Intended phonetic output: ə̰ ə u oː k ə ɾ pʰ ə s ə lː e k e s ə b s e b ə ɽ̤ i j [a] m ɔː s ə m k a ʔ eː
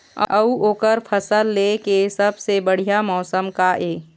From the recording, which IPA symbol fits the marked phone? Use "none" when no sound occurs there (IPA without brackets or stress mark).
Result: a